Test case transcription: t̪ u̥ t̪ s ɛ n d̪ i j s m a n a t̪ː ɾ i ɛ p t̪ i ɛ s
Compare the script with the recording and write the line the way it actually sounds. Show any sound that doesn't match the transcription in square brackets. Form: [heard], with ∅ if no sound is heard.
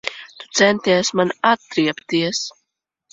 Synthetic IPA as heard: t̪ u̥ t̪ s ɛ n [t̪] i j s m a n a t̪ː ɾ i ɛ p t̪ i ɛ s